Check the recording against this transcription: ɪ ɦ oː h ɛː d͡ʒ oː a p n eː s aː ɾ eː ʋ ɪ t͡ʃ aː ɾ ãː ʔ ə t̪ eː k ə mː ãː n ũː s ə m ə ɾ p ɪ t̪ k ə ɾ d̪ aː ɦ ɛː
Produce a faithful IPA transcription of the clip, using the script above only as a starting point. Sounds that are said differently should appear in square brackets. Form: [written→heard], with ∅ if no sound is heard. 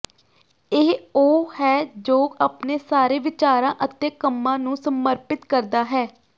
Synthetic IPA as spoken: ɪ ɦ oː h ɛː d͡ʒ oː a p n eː s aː ɾ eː ʋ ɪ t͡ʃ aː ɾ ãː ʔ ə t̪ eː k ə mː ãː n ũː s ə m ə ɾ p ɪ t̪ k ə ɾ d̪ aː ɦ ɛː